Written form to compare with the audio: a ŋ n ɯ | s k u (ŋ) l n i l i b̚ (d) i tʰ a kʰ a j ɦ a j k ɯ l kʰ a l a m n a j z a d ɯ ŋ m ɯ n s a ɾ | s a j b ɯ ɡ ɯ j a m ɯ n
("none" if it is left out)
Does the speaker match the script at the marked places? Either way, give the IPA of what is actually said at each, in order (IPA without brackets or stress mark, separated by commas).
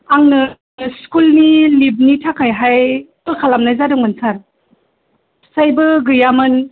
none, n